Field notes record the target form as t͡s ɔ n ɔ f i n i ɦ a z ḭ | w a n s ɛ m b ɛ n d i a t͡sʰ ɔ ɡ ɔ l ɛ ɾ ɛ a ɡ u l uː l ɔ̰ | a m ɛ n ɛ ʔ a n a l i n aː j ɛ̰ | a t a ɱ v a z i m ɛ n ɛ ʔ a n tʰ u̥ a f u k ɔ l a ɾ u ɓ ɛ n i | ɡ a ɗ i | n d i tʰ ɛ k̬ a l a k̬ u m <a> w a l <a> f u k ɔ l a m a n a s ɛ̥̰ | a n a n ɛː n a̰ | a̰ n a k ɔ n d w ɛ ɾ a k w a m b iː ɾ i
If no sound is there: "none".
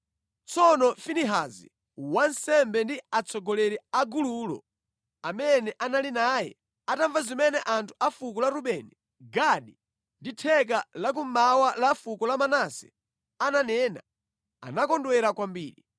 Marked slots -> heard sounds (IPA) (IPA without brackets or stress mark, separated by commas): a, a